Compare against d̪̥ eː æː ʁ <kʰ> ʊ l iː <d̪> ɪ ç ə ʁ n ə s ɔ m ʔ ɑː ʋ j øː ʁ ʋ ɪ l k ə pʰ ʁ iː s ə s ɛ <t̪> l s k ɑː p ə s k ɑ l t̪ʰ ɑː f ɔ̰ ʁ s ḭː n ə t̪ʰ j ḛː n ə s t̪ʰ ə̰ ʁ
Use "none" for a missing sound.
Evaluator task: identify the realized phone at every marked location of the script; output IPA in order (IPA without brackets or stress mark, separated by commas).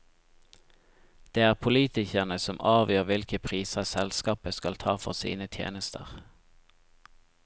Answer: pʰ, t̪, none